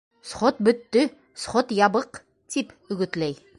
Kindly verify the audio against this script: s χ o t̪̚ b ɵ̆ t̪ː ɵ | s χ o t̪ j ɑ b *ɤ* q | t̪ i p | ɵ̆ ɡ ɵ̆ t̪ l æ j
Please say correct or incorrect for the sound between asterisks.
correct